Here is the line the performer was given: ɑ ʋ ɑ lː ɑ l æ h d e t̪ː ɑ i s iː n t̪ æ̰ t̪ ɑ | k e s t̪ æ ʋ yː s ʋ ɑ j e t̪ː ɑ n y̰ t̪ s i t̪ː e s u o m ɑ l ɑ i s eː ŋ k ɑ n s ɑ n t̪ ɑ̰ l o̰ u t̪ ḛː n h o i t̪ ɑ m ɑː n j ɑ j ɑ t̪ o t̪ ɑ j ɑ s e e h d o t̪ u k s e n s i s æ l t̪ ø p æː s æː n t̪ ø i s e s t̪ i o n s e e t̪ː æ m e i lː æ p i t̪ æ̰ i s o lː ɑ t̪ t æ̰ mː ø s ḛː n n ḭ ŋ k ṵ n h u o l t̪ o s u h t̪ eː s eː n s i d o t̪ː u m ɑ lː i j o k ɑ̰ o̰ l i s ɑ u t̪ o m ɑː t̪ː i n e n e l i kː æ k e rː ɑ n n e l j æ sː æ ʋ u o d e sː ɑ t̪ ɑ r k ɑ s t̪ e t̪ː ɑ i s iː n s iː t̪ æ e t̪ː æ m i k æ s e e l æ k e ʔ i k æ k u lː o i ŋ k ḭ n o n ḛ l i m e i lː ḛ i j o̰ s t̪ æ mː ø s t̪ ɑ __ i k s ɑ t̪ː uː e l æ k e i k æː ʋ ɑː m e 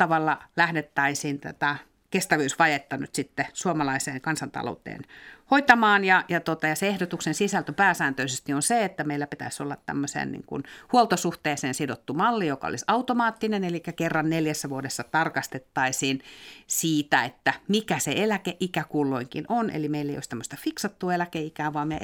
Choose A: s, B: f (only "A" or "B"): B